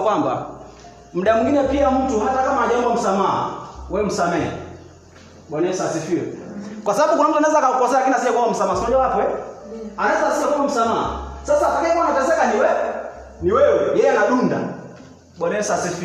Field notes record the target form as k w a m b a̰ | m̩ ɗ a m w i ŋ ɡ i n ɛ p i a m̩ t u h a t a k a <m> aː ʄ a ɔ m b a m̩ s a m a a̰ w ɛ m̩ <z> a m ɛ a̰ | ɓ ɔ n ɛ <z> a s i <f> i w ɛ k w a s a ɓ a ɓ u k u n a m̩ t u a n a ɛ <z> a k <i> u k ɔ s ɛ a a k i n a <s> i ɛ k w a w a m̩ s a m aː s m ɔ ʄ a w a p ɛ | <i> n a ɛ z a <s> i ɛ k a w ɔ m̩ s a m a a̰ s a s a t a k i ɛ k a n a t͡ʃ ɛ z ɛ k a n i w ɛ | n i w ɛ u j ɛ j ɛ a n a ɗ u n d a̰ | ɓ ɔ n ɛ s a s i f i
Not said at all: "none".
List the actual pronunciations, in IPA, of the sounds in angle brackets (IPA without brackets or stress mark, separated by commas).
m, s, s, f, z, a, s, a, s